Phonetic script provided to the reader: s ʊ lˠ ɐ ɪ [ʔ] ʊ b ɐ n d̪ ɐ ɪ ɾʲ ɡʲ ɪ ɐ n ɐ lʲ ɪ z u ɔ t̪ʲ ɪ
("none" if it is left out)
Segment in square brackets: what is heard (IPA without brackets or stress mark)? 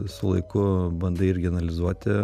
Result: k